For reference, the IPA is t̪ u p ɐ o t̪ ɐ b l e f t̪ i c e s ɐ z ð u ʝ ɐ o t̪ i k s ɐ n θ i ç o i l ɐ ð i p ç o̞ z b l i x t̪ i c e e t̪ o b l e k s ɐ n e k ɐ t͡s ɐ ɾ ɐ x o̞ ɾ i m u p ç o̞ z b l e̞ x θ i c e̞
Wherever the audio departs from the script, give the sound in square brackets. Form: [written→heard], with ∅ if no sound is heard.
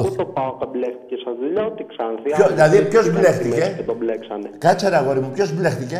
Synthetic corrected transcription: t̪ [u→o] p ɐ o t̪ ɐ b l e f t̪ i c e s ɐ z ð u [ʝ→ʎ] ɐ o t̪ i k s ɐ n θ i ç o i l ɐ ð i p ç o̞ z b l [i→e] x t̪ i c e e t̪ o b l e k s ɐ n e k ɐ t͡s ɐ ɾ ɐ [x→ɣ] o̞ ɾ i m u p ç o̞ z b l e̞ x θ i c e̞